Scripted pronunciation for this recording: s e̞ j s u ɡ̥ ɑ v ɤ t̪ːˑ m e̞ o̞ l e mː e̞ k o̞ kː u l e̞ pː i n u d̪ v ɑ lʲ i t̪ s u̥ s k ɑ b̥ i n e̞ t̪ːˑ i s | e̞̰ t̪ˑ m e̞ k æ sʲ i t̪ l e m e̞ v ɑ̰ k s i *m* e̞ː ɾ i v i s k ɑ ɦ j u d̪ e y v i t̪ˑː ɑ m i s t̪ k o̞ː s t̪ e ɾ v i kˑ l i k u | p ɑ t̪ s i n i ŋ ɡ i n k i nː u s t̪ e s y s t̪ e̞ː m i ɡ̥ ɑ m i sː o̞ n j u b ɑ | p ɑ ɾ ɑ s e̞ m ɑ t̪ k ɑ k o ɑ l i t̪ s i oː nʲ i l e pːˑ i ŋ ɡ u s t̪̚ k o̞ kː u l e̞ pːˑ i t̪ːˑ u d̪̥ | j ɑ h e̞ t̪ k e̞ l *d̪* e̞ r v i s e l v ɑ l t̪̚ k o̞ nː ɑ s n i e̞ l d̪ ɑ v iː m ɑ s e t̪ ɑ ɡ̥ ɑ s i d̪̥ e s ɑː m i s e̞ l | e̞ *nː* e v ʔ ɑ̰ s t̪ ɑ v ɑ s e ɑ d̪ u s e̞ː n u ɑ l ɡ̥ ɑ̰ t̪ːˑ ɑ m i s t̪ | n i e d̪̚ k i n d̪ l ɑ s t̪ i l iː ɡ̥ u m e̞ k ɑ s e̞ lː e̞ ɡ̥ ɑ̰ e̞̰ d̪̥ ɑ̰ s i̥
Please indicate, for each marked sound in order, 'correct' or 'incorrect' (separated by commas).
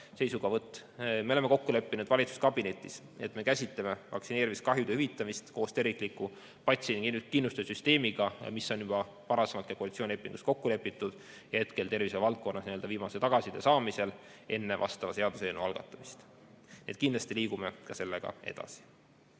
incorrect, incorrect, correct